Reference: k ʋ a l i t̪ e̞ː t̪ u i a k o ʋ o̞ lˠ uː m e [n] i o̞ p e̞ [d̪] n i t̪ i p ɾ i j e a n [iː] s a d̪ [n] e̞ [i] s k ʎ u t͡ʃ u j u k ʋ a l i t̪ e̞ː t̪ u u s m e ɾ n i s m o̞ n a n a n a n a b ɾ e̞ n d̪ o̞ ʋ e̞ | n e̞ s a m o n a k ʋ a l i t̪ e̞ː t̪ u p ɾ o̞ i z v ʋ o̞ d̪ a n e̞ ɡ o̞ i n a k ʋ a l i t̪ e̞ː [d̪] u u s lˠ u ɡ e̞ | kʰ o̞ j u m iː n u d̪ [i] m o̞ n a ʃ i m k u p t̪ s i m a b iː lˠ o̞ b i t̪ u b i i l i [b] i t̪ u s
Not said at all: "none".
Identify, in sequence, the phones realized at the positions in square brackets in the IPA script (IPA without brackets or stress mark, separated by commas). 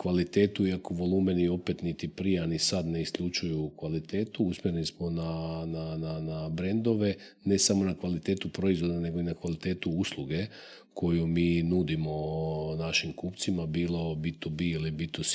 n, t̪, i, n, i, t̪, i, b